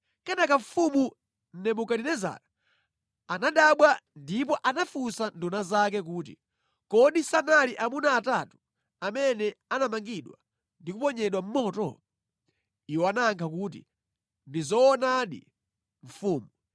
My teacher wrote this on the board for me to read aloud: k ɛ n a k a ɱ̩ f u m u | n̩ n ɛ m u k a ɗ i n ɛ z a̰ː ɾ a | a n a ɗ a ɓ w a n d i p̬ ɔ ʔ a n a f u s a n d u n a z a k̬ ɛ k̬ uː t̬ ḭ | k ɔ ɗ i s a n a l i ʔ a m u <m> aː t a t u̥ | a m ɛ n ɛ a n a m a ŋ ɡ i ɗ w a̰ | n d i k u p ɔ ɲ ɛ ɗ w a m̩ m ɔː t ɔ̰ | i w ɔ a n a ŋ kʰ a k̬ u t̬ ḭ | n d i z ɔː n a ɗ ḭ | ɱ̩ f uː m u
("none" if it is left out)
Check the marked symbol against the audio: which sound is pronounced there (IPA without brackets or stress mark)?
n